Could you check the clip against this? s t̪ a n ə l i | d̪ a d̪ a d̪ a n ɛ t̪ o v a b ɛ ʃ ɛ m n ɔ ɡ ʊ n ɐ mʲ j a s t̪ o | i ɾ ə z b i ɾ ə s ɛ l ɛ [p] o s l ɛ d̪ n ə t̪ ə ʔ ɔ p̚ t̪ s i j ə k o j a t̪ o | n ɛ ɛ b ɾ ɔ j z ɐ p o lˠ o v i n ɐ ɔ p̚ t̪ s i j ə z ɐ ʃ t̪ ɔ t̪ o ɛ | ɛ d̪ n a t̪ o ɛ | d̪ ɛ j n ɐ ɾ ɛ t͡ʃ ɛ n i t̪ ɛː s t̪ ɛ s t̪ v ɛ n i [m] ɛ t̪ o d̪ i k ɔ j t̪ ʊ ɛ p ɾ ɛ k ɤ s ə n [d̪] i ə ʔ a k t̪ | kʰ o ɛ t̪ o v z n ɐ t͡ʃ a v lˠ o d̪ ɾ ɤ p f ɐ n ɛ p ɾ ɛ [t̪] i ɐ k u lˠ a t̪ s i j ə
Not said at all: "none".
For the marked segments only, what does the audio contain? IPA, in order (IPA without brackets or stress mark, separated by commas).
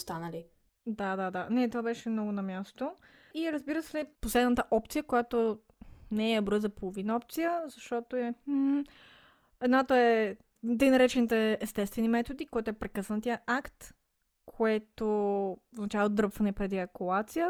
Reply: p, m, t̪, d̪